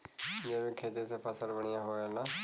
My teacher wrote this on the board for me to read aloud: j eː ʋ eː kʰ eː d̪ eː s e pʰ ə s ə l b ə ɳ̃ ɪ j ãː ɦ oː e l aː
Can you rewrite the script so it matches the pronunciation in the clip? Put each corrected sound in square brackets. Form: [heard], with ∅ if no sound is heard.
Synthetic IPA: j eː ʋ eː kʰ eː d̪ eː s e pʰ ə s ə l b ə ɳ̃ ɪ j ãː ɦ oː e l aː